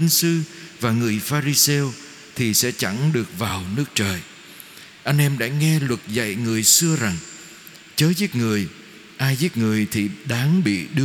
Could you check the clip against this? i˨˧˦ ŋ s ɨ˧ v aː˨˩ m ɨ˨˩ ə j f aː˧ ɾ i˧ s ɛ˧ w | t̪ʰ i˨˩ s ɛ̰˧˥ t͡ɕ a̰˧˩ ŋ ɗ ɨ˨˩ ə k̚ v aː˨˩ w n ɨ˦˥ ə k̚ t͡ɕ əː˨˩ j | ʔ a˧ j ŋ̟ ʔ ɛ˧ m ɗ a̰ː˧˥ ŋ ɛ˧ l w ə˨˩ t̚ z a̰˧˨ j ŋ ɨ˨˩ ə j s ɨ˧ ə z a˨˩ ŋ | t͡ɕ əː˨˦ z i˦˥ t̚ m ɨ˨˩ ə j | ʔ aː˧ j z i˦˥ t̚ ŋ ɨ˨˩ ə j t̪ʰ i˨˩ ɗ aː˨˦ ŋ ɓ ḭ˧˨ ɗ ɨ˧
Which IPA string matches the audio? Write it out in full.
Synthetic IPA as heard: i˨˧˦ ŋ s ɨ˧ v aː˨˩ ŋ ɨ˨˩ ə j f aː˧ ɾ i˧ s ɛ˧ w | t̪ʰ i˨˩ s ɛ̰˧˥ t͡ɕ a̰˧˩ ŋ ɗ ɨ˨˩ ə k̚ v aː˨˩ w n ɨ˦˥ ə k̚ t͡ɕ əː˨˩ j | ʔ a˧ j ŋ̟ ʔ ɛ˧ m ɗ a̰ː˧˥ ŋ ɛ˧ l w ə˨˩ t̚ z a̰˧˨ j ŋ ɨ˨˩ ə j s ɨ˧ ə z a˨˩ ŋ | t͡ɕ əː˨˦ z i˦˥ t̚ ŋ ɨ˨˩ ə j | ʔ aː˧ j z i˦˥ t̚ ŋ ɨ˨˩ ə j t̪ʰ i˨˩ ɗ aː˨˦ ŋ ɓ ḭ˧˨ ɗ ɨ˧